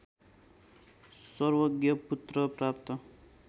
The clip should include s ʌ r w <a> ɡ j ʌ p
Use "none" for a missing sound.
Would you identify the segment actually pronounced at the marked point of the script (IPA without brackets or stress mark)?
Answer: ʌ